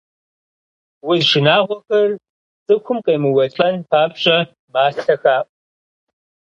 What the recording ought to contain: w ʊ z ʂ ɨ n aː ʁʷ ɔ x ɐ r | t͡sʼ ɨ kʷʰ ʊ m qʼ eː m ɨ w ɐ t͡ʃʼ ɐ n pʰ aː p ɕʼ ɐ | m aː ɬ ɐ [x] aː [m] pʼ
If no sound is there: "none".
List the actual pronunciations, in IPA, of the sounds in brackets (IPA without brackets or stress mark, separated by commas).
x, none